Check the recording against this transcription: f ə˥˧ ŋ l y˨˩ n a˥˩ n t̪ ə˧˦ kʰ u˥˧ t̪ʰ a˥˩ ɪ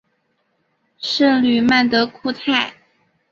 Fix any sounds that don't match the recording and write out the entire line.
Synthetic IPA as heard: ʂ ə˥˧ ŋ l y˨˩ m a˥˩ n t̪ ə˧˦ kʰ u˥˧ t̪ʰ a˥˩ ɪ